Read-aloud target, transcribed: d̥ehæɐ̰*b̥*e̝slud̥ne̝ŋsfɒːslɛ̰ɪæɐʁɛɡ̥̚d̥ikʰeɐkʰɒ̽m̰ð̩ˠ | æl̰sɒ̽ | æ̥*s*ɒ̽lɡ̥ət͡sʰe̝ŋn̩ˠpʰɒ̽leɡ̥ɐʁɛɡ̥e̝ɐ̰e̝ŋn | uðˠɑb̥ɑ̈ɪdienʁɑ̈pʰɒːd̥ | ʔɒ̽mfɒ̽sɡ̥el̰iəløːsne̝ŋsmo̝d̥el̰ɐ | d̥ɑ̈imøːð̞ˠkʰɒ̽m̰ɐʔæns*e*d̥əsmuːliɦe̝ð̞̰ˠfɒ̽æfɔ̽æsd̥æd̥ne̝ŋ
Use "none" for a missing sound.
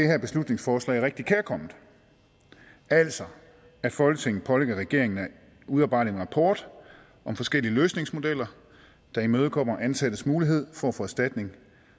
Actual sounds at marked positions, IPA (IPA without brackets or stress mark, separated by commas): b̥, f, æ